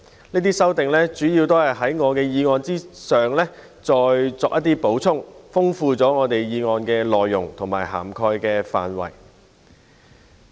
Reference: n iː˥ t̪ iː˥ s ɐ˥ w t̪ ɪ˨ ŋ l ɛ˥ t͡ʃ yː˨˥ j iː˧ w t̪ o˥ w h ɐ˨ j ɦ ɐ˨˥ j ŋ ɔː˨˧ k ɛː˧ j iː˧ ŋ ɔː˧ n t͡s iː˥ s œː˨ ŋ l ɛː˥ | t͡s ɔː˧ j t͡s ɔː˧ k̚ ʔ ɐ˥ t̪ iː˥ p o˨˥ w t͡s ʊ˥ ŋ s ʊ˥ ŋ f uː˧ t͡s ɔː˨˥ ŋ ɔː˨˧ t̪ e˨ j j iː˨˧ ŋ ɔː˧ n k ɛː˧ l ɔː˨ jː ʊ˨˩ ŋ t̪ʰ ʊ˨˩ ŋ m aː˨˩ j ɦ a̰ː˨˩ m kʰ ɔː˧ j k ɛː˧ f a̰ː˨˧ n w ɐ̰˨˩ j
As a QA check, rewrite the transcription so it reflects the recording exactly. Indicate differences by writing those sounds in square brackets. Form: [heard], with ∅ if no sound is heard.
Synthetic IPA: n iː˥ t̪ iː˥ s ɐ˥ w t̪ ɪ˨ ŋ l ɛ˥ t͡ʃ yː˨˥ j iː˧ w t̪ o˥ w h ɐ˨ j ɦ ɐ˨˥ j ŋ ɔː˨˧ k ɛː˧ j iː˧ ŋ ɔː˧ n t͡s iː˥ s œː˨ ŋ l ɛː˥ | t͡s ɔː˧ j t͡s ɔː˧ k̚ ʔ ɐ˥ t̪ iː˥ p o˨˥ w [t͡sʰ] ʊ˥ ŋ [f] ʊ˥ ŋ f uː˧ t͡s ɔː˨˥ ŋ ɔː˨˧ t̪ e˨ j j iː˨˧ ŋ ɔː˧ n k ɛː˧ l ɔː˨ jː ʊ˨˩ ŋ t̪ʰ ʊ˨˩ ŋ m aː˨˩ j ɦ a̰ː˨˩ m kʰ ɔː˧ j k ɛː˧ f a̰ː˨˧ n w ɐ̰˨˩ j